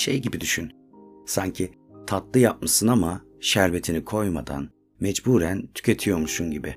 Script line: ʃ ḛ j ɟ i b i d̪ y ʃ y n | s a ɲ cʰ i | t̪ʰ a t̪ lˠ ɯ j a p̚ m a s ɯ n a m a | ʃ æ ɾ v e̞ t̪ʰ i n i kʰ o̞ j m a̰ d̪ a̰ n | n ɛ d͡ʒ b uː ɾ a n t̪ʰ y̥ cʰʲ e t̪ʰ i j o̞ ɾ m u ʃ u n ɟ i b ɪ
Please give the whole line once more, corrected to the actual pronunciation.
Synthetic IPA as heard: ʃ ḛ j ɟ i b i d̪ y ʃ y n | s a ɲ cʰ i | t̪ʰ a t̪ lˠ ɯ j a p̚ m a s ɯ n a m a | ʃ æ ɾ v e̞ t̪ʰ i n i kʰ o̞ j m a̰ d̪ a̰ n | m ɛ d͡ʒ b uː ɾ æ n t̪ʰ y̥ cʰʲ e t̪ʰ i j o̞ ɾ m u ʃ u n ɟ i b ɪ